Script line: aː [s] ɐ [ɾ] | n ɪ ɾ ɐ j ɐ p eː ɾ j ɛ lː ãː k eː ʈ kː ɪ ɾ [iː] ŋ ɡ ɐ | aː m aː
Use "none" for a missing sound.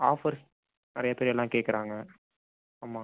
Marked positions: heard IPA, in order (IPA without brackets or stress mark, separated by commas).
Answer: f, ɾ, aː